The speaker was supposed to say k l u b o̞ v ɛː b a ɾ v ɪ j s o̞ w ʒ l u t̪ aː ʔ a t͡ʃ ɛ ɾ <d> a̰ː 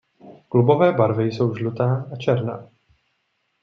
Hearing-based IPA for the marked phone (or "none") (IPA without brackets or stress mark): n